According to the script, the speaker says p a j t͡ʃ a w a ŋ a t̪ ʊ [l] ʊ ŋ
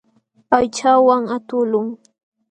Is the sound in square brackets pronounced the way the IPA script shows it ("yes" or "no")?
yes